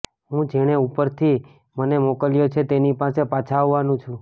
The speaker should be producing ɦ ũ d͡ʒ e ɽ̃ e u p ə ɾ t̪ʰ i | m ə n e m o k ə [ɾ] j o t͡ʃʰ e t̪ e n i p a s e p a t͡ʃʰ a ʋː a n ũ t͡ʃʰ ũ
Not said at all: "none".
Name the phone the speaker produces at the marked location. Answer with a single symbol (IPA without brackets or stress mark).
l